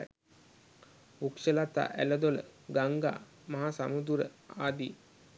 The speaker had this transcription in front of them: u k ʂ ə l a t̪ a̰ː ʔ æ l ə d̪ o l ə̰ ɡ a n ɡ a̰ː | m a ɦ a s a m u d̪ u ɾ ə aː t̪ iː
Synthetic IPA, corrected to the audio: u k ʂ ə l a t̪ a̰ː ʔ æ l ə d̪ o l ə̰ ɡ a ŋ ɡ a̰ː | m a ɦ a s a m u d̪ u ɾ ə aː d̪ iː